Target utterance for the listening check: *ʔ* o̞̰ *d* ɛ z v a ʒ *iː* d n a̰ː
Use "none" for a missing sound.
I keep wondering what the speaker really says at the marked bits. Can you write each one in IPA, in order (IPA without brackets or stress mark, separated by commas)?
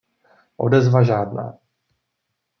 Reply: ʔ, d, aː